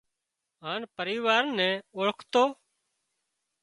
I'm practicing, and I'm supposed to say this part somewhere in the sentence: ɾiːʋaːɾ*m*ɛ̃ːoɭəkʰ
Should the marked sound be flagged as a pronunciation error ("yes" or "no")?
yes